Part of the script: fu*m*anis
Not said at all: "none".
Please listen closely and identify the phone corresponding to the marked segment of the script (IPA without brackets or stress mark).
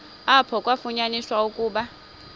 ɲ